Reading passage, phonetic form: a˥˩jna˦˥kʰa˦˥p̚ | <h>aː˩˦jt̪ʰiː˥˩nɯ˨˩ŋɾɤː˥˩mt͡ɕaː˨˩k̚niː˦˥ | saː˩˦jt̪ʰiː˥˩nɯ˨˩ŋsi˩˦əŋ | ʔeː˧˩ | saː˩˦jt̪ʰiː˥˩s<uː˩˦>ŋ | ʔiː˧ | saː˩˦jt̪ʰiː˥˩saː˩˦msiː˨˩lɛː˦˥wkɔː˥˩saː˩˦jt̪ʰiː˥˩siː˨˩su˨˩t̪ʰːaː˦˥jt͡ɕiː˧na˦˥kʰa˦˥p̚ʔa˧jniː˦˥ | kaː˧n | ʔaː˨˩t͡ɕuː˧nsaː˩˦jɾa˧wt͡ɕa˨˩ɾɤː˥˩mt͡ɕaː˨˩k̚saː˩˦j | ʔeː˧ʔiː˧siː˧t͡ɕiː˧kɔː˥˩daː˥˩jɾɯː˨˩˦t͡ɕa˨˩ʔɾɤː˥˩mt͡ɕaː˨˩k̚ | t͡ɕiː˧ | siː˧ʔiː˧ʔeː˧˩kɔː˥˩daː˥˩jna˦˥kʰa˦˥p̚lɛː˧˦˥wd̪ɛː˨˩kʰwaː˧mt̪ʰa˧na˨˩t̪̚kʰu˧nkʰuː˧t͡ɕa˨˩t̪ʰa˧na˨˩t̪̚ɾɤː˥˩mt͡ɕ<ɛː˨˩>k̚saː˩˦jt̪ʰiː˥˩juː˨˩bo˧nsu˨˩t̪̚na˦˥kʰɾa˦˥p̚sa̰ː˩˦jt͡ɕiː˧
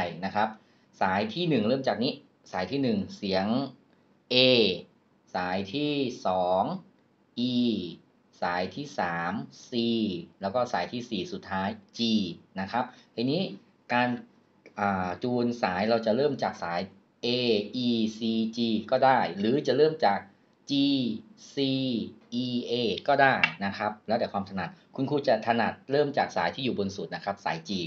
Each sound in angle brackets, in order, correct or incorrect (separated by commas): incorrect, incorrect, incorrect